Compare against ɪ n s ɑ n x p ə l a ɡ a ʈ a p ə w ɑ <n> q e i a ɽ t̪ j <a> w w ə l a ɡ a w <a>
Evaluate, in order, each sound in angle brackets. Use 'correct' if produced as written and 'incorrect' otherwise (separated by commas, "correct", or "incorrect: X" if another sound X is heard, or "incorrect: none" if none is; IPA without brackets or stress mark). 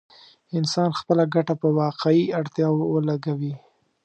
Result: incorrect: none, incorrect: ɑ, incorrect: i